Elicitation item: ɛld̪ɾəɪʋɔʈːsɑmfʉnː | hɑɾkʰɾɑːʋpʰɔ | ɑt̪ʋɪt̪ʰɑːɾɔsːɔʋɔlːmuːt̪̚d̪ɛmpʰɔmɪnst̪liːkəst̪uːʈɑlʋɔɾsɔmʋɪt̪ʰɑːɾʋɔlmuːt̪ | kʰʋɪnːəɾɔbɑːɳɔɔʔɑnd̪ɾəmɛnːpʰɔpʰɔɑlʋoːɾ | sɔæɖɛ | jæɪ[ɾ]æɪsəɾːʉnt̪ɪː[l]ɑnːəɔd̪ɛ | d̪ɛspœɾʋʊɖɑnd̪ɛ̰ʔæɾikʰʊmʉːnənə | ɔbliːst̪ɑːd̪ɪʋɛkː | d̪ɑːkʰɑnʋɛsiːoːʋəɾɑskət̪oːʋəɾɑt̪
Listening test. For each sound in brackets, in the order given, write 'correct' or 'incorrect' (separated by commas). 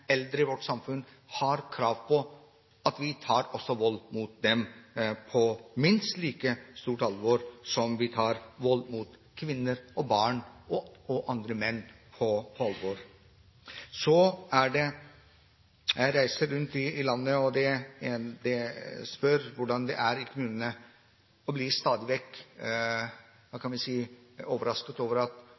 correct, correct